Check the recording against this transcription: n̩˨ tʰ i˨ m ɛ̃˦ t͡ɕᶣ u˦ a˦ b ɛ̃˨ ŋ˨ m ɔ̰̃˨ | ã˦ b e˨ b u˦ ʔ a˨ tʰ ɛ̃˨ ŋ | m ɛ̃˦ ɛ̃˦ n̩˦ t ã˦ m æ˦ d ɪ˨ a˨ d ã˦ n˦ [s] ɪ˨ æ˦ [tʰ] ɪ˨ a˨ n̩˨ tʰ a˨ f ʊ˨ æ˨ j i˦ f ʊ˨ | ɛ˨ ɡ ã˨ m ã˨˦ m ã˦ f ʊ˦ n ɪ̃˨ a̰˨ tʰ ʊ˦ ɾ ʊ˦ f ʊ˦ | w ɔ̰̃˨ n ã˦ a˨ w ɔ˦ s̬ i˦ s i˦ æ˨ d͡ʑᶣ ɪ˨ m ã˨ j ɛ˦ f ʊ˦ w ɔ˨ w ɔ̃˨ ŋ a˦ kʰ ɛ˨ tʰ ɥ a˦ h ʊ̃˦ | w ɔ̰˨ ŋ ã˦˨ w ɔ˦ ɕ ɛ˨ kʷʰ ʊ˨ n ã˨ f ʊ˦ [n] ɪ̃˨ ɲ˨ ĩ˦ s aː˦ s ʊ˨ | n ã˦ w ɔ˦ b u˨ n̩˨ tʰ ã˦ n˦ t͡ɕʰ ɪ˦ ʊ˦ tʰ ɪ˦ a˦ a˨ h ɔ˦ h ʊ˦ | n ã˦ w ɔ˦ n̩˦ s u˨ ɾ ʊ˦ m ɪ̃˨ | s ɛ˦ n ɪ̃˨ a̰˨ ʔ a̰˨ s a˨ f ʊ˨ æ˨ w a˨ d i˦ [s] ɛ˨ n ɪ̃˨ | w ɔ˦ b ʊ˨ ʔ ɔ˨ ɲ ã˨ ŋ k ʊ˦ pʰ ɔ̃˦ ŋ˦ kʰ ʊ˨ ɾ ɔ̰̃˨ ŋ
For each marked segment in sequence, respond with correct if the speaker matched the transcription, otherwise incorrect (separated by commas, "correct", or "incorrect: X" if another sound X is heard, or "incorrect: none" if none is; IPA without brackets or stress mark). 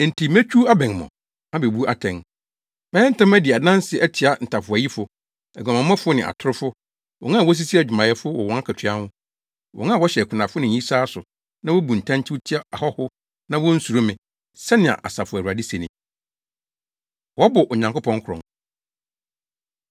correct, correct, correct, correct